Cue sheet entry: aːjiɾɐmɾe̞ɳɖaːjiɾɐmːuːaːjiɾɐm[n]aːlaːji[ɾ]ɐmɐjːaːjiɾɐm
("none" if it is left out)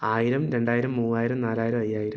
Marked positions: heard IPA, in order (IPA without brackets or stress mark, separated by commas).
n, ɾ